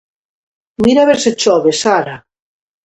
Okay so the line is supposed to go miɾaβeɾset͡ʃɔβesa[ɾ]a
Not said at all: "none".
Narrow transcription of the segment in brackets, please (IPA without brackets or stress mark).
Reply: ɾ